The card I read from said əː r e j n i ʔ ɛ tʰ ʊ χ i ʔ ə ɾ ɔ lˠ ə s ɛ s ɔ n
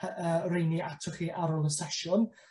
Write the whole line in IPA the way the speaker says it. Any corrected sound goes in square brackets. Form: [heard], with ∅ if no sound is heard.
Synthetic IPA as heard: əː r e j n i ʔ [a] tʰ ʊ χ i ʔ [a] ɾ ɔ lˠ ə s ɛ [ʃ] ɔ n